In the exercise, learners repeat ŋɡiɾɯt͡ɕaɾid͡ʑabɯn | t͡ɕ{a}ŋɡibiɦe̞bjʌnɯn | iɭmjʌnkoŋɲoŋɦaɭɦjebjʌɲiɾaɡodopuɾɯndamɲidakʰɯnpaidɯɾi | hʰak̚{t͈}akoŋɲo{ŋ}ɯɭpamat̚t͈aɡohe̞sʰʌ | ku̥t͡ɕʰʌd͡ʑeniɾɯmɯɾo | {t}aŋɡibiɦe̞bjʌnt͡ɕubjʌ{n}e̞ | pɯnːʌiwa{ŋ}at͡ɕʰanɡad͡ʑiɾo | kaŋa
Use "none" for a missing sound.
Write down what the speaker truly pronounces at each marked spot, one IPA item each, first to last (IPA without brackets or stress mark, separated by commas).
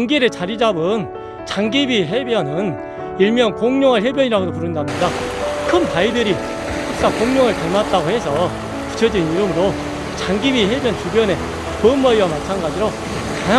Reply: a, s͈, ŋ, t͡ɕ, n, m